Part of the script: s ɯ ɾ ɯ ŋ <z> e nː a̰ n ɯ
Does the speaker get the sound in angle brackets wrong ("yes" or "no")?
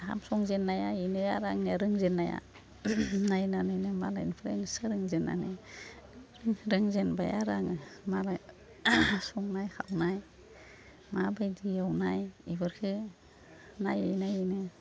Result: no